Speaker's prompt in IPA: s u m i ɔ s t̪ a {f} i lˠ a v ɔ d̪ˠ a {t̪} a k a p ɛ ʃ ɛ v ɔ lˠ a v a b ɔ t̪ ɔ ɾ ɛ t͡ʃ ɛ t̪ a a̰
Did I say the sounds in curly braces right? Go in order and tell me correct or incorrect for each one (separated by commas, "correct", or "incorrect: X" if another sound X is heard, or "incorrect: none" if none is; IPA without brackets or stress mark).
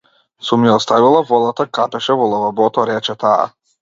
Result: incorrect: v, correct